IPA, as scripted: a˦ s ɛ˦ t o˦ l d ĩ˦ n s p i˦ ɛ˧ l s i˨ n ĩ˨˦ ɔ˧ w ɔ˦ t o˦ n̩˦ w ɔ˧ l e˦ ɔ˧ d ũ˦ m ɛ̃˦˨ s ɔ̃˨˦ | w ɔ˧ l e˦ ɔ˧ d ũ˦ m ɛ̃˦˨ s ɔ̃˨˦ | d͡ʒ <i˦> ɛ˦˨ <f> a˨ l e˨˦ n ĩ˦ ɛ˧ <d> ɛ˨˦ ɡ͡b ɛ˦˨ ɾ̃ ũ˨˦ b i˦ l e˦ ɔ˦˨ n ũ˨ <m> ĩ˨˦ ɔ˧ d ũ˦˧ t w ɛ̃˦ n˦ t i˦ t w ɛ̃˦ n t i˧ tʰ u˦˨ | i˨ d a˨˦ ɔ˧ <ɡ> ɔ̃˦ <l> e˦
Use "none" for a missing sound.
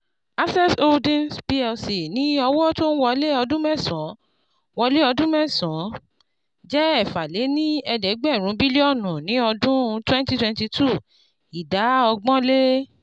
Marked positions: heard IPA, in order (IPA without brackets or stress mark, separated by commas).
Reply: ɛ˦, f, d, n, ɡ͡b, l